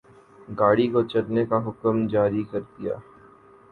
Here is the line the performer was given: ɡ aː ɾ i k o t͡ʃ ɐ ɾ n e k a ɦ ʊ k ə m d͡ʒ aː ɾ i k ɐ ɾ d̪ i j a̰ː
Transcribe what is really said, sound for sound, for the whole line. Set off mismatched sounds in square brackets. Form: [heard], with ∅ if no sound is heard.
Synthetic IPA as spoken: ɡ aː [ɽ] i k o t͡ʃ ɐ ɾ n e k a ɦ ʊ k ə m d͡ʒ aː ɾ i k ɐ ɾ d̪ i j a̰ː